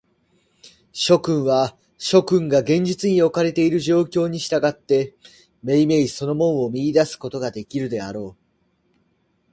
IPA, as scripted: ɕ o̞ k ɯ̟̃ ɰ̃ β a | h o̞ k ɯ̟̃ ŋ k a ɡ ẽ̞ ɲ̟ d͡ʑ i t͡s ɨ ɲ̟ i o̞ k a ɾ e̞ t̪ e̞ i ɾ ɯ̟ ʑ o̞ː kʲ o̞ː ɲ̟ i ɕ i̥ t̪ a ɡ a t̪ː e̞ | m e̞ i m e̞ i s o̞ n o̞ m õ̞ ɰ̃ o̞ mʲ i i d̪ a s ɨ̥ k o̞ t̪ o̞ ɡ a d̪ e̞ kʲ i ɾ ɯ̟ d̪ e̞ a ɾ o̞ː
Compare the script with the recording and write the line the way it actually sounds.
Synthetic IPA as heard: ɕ o̞ k ɯ̟̃ ɰ̃ β a | ɕ o̞ k ɯ̟̃ ŋ ɡ a ɡ ẽ̞ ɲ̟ d͡ʑ i t͡s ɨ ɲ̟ i o̞ k a ɾ e̞ t̪ e̞ i ɾ ɯ̟ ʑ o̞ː kʲ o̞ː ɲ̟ i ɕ i̥ t̪ a ɡ a t̪ː e̞ | m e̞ i m e̞ i s o̞ n o̞ m õ̞ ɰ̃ o̞ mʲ i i d̪ a s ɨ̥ k o̞ t̪ o̞ ɡ a d̪ e̞ kʲ i ɾ ɯ̟ d̪ e̞ a ɾ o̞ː